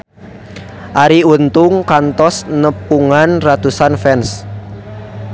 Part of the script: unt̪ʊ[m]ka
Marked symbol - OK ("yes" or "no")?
no